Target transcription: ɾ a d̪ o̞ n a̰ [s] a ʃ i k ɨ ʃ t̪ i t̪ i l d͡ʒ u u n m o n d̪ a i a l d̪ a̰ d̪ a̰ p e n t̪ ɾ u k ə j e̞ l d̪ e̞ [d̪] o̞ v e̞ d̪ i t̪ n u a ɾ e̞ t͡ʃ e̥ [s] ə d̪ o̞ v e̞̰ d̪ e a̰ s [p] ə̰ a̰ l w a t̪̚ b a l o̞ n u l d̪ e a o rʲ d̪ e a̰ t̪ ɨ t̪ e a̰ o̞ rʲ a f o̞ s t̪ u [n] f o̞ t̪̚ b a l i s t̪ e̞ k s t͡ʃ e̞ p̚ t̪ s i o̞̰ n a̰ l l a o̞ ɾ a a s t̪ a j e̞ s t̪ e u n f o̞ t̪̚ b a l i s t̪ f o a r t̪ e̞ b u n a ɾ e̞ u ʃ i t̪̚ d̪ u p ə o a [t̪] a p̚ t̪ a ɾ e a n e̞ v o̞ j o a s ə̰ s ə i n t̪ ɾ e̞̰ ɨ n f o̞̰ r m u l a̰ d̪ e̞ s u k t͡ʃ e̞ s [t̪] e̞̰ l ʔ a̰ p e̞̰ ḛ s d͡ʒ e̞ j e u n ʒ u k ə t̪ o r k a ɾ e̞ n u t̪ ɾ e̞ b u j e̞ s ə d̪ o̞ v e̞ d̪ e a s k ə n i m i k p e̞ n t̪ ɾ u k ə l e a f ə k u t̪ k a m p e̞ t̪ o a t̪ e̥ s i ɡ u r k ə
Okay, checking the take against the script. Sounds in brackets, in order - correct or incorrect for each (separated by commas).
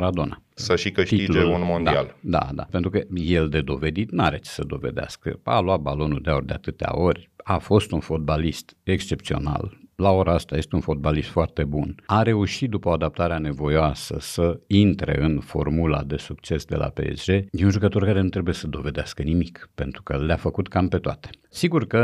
correct, correct, correct, incorrect, correct, incorrect, incorrect